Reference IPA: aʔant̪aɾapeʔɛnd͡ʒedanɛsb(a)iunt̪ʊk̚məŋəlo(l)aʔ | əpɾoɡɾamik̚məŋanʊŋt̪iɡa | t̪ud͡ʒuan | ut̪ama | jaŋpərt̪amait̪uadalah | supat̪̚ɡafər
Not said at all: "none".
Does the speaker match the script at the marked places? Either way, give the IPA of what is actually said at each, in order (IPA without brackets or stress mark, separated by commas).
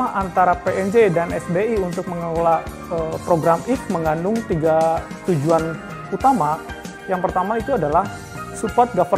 e, l